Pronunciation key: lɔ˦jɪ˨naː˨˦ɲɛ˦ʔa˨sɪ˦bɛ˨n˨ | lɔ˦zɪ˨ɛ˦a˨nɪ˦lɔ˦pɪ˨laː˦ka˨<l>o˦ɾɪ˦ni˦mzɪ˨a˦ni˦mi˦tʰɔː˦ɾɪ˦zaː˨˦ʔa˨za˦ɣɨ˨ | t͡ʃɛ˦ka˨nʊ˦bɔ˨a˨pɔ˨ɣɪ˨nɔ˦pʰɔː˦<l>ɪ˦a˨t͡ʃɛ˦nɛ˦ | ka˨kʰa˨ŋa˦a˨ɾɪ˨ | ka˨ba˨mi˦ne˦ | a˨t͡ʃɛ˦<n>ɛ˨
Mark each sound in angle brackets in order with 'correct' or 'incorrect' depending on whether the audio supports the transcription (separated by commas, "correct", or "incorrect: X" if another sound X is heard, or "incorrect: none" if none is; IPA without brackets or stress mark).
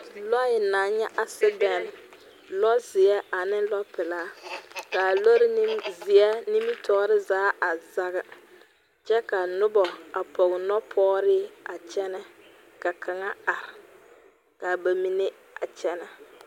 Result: correct, incorrect: ɾ, correct